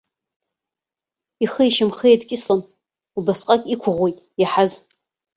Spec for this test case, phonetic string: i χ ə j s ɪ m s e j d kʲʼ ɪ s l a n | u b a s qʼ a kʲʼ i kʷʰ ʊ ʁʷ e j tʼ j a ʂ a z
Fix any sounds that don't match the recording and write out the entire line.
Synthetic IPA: i χ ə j ʃ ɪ m χ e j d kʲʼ ɪ s l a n | u b a s qʼ a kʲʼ i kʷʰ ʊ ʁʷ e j tʼ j a ħ a z